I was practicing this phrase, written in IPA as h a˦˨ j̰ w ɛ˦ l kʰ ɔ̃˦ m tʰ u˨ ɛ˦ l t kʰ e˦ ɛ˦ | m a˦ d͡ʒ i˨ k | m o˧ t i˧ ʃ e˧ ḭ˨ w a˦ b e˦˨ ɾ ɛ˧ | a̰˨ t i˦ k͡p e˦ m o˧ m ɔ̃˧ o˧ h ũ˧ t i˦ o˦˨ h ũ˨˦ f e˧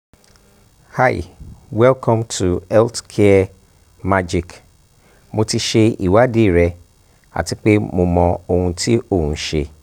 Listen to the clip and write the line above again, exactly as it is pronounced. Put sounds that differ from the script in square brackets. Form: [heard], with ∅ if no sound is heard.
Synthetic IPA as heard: h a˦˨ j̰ w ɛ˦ l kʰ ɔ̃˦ m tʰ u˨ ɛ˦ l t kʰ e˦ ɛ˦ | m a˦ d͡ʒ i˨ k | m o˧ t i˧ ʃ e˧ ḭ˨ w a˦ [d] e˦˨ ɾ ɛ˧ | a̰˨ t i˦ k͡p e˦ m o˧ m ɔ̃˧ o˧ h ũ˧ t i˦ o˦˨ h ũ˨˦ [ʃ] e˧

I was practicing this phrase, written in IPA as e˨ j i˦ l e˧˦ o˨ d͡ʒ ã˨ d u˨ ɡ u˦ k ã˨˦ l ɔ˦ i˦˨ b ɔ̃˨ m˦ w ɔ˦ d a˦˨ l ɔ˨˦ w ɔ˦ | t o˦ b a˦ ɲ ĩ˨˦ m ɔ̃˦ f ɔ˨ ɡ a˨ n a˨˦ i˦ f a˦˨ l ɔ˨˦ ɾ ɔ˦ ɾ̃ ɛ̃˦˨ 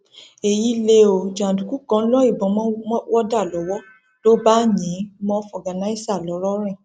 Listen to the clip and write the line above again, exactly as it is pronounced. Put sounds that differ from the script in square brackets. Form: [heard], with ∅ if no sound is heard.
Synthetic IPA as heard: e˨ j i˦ l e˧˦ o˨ d͡ʒ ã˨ d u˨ [k] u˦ k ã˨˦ l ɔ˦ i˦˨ b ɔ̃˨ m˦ w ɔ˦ d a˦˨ l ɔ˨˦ w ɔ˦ | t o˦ b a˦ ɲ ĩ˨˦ m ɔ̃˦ f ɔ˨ ɡ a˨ n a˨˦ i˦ [s] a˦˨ l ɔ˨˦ ɾ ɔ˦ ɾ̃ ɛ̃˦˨

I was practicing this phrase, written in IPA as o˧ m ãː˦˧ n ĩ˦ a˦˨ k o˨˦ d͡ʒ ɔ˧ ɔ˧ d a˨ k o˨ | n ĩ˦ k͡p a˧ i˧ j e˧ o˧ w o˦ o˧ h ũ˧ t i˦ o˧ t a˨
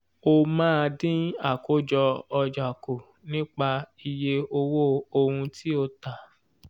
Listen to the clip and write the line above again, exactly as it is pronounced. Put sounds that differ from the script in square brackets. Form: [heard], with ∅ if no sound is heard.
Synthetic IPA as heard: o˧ m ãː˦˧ [d] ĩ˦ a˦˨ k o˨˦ d͡ʒ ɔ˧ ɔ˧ [d͡ʒ] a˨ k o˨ | n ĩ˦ k͡p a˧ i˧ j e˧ o˧ w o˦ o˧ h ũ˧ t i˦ o˧ t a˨

